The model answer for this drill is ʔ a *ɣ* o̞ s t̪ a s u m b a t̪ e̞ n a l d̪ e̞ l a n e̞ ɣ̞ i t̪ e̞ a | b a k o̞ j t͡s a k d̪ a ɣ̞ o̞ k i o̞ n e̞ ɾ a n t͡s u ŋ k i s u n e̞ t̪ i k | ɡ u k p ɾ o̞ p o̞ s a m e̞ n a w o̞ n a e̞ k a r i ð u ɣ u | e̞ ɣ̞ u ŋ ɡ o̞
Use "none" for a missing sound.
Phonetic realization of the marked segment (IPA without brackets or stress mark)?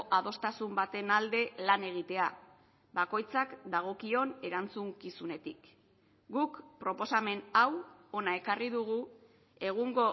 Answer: ð